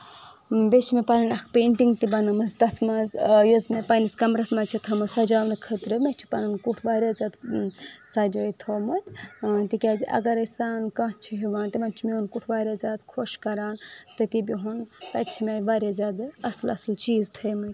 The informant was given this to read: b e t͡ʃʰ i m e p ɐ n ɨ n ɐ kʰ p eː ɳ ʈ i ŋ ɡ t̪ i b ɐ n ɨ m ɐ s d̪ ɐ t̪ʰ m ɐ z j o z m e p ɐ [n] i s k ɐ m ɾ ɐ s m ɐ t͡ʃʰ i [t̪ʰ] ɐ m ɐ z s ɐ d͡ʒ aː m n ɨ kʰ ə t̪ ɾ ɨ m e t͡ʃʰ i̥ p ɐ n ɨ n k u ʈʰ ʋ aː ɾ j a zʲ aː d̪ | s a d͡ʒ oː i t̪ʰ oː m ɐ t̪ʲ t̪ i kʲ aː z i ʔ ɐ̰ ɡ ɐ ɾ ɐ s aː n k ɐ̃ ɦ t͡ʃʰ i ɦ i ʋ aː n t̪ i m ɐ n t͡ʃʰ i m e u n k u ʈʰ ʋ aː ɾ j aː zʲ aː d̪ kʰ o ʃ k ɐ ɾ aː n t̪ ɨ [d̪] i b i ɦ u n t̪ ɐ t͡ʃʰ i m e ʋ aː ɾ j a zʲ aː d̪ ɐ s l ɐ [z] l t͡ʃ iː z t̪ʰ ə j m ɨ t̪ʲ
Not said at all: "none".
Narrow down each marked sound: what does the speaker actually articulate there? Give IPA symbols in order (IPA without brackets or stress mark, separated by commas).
n, t̪ʰ, t̪, s